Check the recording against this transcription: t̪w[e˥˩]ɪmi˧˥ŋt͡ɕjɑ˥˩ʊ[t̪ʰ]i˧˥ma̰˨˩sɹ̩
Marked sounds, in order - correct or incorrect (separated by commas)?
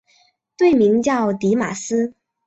correct, incorrect